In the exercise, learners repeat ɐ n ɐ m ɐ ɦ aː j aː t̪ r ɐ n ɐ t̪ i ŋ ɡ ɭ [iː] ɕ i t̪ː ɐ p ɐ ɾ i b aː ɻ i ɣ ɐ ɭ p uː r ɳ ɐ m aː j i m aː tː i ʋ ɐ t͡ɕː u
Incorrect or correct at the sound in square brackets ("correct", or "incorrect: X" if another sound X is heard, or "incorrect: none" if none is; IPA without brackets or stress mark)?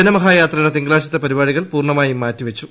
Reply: incorrect: aː